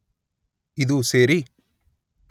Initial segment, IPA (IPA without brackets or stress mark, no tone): i